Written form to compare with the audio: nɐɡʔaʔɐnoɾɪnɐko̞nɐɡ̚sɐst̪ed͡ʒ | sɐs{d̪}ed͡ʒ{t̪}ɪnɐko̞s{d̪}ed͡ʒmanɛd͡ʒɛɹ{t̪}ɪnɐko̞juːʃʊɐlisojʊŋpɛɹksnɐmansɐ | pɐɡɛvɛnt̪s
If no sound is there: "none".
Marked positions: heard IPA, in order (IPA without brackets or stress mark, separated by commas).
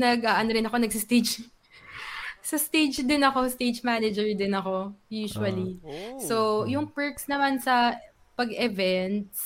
t̪, d̪, t̪, d̪